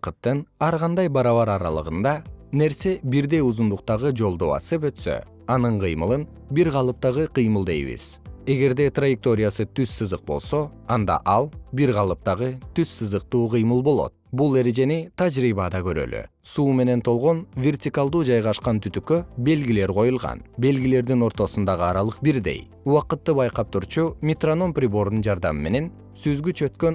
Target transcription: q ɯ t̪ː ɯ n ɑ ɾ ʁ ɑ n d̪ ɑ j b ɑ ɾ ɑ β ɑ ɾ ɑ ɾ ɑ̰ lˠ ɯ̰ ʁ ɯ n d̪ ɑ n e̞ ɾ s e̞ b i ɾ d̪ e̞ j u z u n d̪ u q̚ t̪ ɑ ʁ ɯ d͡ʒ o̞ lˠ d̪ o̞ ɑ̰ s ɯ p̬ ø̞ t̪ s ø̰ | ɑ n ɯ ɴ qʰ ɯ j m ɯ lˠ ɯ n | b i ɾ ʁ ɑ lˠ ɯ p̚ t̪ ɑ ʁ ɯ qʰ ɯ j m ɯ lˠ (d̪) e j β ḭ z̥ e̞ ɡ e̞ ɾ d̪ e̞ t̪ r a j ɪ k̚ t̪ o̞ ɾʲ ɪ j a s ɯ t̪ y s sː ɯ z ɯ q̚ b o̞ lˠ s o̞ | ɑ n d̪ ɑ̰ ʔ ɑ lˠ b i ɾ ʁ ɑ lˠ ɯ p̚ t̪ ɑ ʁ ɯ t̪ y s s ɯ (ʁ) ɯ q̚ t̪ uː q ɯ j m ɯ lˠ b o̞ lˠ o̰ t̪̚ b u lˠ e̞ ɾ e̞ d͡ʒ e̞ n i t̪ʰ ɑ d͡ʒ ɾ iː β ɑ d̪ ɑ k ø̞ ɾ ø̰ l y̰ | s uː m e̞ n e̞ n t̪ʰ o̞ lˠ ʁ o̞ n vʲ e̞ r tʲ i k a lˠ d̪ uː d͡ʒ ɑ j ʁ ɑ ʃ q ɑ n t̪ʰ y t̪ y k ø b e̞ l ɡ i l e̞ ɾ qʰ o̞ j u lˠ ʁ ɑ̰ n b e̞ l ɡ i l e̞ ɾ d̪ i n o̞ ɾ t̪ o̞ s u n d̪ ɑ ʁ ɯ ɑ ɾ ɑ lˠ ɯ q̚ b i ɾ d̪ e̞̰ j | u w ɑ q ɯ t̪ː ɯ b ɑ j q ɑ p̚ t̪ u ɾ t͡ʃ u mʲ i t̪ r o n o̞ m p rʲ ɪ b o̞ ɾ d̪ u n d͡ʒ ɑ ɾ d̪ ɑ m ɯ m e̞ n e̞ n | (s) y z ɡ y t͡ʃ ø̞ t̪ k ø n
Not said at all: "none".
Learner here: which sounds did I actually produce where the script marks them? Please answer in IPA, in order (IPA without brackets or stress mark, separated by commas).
d̪, z, s